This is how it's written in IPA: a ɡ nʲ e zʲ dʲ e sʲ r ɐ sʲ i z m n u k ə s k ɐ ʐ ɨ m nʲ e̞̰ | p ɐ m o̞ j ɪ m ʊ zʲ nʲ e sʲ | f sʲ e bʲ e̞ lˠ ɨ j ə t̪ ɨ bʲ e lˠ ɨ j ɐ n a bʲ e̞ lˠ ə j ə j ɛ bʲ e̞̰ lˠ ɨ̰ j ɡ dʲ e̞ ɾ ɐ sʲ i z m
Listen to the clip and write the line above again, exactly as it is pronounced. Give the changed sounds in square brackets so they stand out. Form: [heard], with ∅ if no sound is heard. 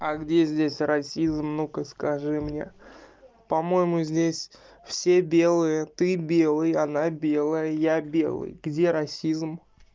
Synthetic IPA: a ɡ [dʲ] e zʲ dʲ e sʲ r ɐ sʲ i z m n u k ə s k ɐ ʐ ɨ m nʲ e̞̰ | p ɐ m o̞ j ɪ m ʊ zʲ [dʲ] e sʲ | f sʲ e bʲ e̞ lˠ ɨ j ə t̪ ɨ bʲ e lˠ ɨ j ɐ n a bʲ e̞ lˠ ə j ə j [a] bʲ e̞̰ lˠ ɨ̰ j ɡ dʲ e̞ ɾ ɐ sʲ i z m